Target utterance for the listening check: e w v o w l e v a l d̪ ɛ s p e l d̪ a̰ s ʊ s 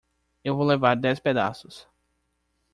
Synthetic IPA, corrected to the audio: e w v o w l e v a ɾ d̪ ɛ s p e d̪ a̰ s ʊ s